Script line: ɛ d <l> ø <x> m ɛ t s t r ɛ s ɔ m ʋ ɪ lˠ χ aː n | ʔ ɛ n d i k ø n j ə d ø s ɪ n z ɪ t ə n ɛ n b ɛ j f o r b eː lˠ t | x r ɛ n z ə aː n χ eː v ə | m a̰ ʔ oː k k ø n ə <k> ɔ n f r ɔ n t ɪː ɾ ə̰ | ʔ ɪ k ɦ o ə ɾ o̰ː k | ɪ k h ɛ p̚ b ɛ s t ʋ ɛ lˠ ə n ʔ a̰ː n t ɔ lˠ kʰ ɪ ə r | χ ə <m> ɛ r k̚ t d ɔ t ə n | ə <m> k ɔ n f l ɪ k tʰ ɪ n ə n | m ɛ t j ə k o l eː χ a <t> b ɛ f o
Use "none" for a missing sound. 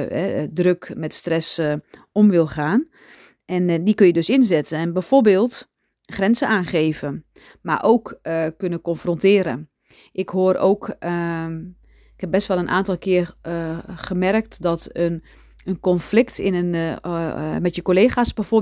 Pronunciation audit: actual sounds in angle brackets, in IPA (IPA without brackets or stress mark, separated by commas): r, k, k, m, n, s